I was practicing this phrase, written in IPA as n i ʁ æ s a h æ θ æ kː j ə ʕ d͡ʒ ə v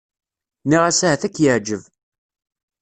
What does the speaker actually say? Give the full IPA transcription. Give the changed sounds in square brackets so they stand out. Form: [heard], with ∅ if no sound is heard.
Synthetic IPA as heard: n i ʁ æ s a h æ θ æ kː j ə ʕ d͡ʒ ə v